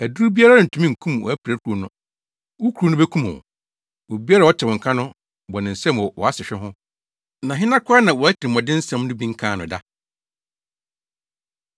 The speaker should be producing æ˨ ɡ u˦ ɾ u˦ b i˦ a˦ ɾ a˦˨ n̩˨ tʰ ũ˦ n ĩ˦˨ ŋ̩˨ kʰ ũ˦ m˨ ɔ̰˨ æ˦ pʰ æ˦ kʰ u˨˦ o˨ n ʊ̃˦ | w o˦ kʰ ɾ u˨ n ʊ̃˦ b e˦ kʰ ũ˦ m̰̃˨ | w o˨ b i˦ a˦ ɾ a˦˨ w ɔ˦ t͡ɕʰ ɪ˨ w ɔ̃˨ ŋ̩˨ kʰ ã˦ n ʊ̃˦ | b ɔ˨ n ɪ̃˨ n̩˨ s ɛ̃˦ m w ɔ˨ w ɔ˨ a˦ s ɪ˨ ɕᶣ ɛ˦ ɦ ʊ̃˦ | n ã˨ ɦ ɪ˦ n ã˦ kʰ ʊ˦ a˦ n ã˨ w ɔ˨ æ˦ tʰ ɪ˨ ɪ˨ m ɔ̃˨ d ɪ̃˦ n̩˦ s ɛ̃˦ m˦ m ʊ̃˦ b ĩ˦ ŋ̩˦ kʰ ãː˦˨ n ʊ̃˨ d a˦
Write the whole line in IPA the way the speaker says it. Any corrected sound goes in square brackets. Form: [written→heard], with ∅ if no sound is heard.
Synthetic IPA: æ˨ [ɡ→d] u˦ ɾ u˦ b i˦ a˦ ɾ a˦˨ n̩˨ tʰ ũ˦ [n→m] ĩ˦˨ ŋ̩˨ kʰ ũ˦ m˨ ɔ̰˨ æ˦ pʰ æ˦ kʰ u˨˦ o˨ n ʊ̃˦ | w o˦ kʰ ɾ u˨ n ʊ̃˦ b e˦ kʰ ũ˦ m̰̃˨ | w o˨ b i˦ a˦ ɾ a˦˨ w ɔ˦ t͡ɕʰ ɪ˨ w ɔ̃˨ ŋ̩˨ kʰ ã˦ n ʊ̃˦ | b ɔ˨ n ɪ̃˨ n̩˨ s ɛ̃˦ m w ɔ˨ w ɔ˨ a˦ s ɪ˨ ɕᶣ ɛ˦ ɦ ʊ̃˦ | n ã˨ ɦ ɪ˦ n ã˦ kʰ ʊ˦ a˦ n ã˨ w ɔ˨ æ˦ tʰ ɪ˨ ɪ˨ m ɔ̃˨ d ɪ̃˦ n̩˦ s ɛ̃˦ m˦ [m→n] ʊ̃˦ b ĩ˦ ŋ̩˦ kʰ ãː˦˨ n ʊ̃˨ d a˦